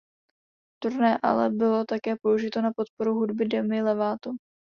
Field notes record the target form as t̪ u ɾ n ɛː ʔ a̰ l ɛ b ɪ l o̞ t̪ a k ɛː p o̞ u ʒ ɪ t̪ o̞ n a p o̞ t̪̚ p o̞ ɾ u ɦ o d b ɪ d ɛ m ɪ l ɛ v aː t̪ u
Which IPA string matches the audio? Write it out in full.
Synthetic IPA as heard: t̪ u ɾ n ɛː ʔ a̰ l ɛ b ɪ l o̞ t̪ a k ɛː p o̞ u ʒ ɪ t̪ o̞ n a p o̞ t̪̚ p o̞ ɾ u ɦ u d b ɪ d ɛ m ɪ l ɛ v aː t̪ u